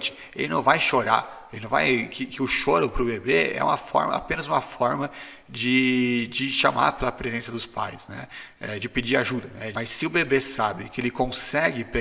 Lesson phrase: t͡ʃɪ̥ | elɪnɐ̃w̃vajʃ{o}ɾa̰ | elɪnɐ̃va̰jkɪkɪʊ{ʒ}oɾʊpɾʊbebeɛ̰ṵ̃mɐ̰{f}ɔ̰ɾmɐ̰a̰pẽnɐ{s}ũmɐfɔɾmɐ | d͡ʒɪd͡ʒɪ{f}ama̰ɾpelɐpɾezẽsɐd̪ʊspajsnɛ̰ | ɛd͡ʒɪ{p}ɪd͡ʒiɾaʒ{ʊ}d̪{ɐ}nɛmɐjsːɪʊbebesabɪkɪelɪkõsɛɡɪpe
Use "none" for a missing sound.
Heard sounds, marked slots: o, ʃ, f, z, ʃ, p, u, ɐ

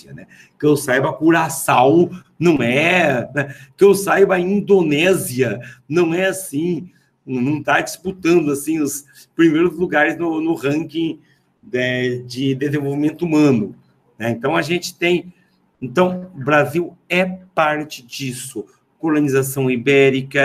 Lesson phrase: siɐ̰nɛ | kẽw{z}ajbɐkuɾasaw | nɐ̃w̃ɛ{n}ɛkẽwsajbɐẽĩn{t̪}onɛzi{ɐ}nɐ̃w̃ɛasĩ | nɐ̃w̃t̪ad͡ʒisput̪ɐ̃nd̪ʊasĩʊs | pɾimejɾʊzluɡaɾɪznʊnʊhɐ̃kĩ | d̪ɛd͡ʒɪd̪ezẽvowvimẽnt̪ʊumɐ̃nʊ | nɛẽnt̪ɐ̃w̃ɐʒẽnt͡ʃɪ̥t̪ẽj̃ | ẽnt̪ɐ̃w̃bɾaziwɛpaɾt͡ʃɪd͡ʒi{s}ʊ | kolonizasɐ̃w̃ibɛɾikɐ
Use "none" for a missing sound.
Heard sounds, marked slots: s, n, d̪, ɐ, s

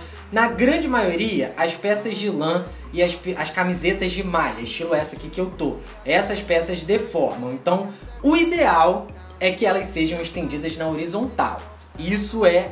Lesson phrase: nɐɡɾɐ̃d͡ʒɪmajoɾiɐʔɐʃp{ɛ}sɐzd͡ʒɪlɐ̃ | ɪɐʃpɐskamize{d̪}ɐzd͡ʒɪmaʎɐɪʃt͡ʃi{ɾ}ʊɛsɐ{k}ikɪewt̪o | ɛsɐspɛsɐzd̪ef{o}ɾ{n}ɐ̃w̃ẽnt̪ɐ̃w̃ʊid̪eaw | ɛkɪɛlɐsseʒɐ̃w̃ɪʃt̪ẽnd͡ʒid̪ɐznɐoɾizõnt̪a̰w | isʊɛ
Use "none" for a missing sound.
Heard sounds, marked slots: ɛ, t̪, l, k, ɔ, m

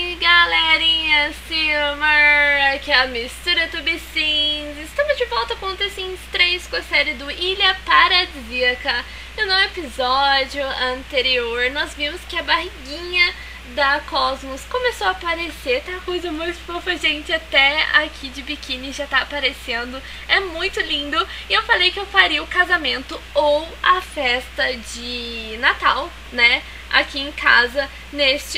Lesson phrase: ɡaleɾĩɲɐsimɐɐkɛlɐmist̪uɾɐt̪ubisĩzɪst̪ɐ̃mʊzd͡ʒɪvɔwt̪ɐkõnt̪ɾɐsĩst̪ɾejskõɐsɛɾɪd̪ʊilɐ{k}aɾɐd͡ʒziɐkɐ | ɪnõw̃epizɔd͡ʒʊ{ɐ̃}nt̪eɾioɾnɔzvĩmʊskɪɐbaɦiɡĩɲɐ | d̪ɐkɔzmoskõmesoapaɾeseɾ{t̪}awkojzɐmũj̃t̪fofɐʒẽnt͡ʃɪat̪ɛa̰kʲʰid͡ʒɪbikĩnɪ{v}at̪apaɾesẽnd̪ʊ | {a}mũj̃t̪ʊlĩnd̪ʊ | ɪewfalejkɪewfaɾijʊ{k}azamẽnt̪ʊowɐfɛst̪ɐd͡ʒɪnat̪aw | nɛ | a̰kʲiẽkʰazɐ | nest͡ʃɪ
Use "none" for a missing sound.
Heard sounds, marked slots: p, ɐ̃, t̪, ʒ, ɛ, k

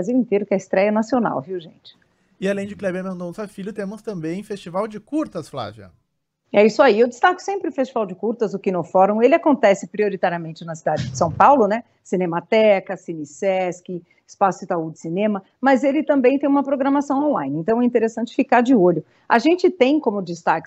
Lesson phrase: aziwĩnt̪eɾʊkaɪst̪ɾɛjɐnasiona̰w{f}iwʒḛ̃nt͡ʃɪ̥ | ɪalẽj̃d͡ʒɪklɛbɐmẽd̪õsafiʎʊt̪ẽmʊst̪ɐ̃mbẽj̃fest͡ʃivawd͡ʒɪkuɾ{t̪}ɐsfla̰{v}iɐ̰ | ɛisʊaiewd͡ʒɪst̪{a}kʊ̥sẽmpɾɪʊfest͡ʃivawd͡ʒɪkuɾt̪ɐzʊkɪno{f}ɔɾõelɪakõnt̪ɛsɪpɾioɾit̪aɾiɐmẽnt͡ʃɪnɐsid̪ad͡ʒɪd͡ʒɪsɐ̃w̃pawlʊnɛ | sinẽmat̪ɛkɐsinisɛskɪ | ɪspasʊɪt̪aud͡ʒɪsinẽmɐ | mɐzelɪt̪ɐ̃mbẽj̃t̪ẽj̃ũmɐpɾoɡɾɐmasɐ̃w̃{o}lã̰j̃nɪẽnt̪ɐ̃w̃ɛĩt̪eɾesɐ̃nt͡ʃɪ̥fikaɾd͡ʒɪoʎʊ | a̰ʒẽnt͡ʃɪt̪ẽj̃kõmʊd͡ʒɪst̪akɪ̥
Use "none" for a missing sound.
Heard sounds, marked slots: v, t̪, v, a, f, õ

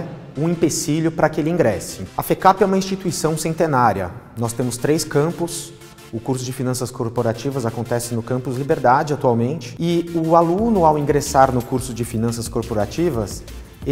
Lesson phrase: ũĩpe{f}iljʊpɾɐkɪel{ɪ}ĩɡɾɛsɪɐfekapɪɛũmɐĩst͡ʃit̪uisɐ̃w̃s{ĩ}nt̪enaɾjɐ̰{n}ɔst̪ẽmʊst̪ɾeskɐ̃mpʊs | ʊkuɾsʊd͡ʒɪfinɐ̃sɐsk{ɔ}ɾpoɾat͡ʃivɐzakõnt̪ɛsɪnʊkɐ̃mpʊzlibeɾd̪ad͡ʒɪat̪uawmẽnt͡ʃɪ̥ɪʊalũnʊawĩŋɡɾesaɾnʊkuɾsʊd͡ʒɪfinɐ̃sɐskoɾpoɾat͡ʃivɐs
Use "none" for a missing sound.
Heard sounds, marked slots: s, ɪ, ẽ, n, o

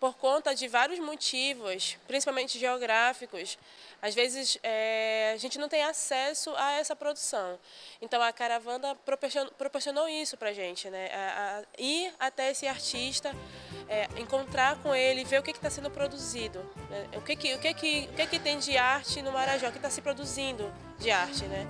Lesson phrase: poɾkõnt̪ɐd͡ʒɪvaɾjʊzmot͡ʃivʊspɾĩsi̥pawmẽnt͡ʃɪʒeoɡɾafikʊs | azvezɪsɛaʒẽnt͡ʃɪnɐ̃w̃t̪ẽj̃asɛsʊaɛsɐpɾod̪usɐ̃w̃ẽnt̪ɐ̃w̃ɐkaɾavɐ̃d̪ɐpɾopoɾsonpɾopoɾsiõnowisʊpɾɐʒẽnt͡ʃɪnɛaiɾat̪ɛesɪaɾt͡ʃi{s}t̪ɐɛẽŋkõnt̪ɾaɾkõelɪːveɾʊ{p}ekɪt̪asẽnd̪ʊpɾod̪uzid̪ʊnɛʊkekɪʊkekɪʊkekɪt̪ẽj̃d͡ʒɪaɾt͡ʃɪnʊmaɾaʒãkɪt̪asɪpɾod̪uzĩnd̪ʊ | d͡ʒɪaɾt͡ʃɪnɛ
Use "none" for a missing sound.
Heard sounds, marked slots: ʃ, k

